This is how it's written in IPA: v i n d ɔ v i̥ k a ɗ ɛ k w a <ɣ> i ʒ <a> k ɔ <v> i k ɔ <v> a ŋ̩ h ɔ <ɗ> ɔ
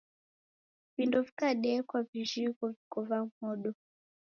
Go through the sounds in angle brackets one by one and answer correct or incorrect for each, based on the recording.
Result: incorrect, incorrect, correct, correct, correct

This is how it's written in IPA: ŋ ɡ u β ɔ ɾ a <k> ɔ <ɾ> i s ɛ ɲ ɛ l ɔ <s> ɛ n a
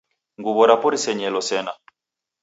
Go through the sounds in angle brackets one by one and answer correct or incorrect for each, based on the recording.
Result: incorrect, correct, correct

